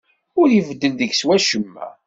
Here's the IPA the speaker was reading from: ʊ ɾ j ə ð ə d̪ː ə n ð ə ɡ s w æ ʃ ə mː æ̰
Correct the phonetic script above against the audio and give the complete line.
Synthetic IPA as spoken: ʊ ɾ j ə v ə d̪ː ə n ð ə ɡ s w æ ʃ ə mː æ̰